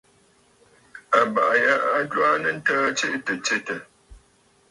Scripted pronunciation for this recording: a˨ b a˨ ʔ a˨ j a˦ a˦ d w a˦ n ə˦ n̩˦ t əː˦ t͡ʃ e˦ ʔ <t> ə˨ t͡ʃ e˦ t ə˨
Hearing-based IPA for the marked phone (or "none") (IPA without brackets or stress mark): t